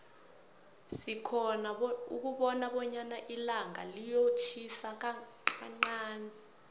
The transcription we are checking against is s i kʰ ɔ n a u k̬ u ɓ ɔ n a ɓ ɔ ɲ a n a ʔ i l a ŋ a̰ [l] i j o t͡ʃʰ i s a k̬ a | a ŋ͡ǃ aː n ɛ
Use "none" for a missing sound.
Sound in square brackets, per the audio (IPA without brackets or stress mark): l